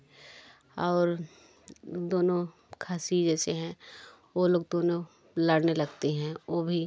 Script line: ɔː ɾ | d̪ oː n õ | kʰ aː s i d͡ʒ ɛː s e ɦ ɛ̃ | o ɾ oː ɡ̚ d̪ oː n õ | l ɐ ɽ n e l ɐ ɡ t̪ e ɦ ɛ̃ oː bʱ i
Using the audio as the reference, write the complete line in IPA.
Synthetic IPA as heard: ɔː ɾ | d̪ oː n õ | kʰ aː s i d͡ʒ ɛː s e ɦ ɛ̃ | o l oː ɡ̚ d̪ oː n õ | l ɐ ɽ n e l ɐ ɡ t̪ e ɦ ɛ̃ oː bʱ i